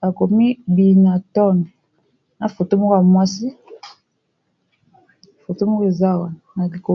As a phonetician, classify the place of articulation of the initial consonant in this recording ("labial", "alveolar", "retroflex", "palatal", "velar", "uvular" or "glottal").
velar